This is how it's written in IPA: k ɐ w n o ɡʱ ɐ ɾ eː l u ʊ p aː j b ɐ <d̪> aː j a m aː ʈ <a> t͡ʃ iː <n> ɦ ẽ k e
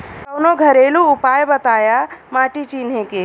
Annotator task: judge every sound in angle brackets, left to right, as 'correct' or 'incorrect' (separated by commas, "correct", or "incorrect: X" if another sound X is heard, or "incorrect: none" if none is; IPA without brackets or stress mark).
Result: incorrect: t̪, incorrect: i, correct